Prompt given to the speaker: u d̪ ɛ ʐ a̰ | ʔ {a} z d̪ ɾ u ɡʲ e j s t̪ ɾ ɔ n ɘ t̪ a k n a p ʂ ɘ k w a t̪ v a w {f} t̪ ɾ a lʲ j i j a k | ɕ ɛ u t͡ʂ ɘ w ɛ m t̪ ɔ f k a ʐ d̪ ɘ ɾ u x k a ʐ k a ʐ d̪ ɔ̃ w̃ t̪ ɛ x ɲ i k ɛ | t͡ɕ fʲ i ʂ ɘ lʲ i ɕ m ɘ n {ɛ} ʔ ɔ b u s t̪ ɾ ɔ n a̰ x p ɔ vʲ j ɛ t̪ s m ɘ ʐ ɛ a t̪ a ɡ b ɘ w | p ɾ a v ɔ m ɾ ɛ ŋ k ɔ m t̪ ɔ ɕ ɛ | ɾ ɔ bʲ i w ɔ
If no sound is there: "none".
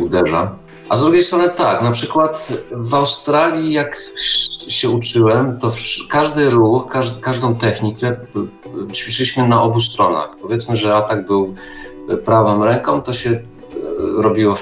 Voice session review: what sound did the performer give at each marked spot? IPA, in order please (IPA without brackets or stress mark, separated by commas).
a, s, a